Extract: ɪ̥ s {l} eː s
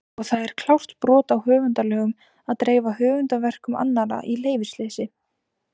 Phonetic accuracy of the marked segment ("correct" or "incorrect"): correct